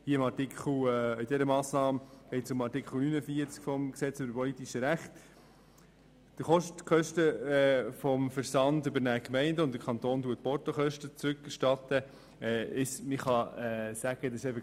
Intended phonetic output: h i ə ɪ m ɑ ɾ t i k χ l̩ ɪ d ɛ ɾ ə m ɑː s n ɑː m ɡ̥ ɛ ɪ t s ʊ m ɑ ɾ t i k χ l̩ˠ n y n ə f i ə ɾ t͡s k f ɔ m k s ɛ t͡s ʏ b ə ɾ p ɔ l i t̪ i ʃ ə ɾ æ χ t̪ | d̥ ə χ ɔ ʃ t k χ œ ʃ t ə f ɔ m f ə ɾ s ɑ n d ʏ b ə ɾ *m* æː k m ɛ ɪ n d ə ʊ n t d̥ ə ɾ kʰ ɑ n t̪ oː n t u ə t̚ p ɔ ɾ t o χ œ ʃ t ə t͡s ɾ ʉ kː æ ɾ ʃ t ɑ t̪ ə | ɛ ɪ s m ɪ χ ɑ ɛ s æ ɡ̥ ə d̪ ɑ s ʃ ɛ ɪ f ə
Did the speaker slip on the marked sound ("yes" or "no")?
yes